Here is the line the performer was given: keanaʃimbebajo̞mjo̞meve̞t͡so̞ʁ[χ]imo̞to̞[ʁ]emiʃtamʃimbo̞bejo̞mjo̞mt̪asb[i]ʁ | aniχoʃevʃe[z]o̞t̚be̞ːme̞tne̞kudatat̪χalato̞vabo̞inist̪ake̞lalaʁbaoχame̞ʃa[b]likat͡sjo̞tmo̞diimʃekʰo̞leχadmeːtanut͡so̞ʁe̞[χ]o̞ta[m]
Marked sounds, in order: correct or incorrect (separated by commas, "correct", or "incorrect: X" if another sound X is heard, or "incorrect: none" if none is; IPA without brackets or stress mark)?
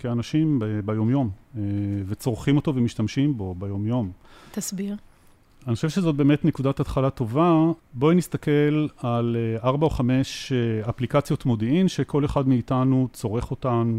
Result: correct, incorrect: v, correct, correct, incorrect: p, correct, incorrect: n